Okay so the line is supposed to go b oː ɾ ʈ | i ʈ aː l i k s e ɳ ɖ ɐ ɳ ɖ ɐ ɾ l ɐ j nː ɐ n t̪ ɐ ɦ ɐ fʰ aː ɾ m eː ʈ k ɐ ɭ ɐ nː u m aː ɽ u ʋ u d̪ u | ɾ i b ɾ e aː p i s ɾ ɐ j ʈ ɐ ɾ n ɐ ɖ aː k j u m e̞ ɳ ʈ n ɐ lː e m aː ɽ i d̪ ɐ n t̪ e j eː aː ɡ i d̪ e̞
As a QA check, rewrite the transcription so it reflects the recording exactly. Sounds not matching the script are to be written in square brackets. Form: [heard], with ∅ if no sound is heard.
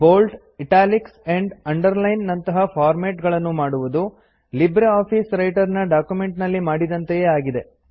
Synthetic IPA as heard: b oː [l] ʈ | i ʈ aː l i k s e ɳ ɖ ɐ ɳ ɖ ɐ ɾ l ɐ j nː ɐ n t̪ ɐ ɦ ɐ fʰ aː ɾ m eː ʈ [ɡ] ɐ ɭ ɐ nː u m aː ɽ u ʋ u d̪ u | [l] i b ɾ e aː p i s ɾ ɐ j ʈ ɐ ɾ n ɐ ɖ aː k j u m e̞ ɳ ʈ n ɐ lː [i] m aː ɽ i d̪ ɐ n t̪ e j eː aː ɡ i d̪ e̞

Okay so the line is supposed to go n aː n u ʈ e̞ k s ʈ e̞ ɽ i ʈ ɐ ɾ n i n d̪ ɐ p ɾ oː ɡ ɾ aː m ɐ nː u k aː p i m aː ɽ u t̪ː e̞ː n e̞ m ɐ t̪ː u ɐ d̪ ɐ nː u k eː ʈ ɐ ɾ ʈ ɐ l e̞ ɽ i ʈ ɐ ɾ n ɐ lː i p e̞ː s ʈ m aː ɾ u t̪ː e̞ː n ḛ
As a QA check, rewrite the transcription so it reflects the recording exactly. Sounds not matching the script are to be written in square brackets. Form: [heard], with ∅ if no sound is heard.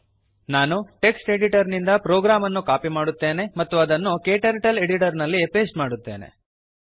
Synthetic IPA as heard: n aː n u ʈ e̞ k s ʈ e̞ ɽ i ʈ ɐ ɾ n i n d̪ ɐ p ɾ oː ɡ ɾ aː m ɐ nː u k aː p i m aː ɽ u t̪ː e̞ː n e̞ m ɐ t̪ː u ɐ d̪ ɐ nː u k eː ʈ ɐ ɾ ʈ ɐ l e̞ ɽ i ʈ ɐ ɾ n ɐ lː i p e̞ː s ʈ m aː [ɽ] u t̪ː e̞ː n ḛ

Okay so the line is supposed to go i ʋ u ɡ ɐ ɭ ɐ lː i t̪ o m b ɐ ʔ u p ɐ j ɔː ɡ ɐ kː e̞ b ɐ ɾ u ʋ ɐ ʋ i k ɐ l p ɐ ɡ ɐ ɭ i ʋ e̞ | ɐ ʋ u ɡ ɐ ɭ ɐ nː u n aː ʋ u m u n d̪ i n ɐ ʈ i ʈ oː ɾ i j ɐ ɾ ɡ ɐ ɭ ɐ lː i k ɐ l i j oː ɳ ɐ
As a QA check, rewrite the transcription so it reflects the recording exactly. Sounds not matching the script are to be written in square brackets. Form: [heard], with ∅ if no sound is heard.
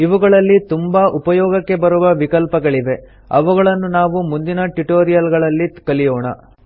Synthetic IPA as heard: i ʋ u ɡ ɐ ɭ ɐ lː i t̪ [u] m b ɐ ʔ u p ɐ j ɔː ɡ ɐ kː e̞ b ɐ ɾ u ʋ ɐ ʋ i k ɐ l p ɐ ɡ ɐ ɭ i ʋ e̞ | ɐ ʋ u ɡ ɐ ɭ ɐ nː u n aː ʋ u m u n d̪ i n ɐ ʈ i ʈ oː ɾ i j ɐ [l] ɡ ɐ ɭ ɐ lː i k ɐ l i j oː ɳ ɐ

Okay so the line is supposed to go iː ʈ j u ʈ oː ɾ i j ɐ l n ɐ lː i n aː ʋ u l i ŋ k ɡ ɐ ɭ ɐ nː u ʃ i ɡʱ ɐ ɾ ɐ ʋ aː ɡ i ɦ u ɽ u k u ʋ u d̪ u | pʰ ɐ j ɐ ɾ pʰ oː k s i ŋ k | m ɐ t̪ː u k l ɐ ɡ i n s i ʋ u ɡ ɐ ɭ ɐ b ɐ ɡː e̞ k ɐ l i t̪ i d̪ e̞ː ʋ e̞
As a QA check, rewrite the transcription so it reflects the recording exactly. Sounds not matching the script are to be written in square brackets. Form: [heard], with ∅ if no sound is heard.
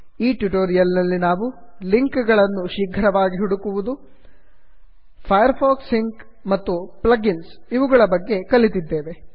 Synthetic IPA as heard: iː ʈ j u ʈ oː ɾ i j ɐ l n ɐ lː i n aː ʋ u l i ŋ k ɡ ɐ ɭ ɐ nː u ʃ i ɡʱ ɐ ɾ ɐ ʋ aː ɡ i ɦ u ɽ u k u ʋ u d̪ u | pʰ ɐ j ɐ ɾ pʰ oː k s i ŋ k | m ɐ t̪ː u [p] l ɐ ɡ i n s i ʋ u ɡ ɐ ɭ ɐ b ɐ ɡː e̞ k ɐ l i t̪ i [d̪ː] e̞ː ʋ e̞

